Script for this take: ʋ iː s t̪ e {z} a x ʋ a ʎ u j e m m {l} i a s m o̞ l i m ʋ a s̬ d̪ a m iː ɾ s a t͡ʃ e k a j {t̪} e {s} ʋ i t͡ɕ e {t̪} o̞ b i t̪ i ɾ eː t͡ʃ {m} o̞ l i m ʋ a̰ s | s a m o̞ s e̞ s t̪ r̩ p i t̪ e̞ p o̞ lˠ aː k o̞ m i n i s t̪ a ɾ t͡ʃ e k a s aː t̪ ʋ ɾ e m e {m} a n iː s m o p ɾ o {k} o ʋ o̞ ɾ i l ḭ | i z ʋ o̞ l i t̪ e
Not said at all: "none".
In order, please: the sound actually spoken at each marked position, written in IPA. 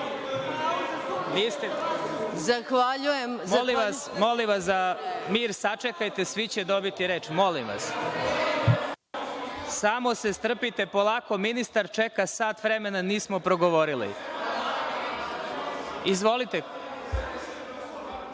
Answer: z, l, t̪, s, d̪, m, n, ɡ

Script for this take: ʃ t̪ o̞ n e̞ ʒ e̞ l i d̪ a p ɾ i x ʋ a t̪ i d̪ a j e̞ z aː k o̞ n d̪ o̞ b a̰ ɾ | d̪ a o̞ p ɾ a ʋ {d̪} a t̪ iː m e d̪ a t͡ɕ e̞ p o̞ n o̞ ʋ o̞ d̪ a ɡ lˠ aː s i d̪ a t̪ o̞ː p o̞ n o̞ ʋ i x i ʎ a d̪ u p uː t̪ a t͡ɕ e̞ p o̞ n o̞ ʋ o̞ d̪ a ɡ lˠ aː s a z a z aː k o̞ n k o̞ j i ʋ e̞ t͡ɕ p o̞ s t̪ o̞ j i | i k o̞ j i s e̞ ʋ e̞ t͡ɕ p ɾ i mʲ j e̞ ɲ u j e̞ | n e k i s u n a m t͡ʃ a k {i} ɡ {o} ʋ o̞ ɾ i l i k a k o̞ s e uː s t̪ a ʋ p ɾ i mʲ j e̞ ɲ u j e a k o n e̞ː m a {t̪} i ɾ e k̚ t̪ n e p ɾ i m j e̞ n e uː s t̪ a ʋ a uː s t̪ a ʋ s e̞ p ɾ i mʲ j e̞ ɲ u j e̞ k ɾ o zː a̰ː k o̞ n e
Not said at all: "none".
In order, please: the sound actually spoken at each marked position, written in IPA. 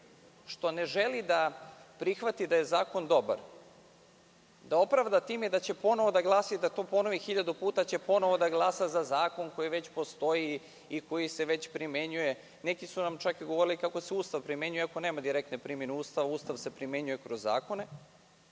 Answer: d̪, i, o, d̪

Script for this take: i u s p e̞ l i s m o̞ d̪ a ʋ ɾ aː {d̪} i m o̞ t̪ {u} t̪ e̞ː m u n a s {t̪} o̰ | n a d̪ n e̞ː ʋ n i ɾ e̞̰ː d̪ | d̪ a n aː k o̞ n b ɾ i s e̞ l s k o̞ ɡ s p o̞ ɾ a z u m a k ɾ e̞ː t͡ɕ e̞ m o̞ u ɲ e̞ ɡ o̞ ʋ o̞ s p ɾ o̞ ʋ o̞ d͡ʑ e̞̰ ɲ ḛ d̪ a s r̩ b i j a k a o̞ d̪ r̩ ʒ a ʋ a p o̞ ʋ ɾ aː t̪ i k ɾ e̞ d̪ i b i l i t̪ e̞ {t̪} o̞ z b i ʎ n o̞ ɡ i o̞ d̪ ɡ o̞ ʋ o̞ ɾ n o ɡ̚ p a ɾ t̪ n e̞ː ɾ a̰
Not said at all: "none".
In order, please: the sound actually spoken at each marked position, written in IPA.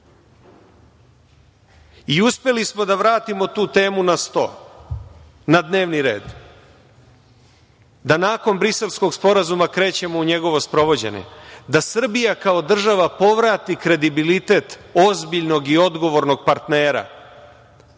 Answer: t̪, uː, t̪, t̪

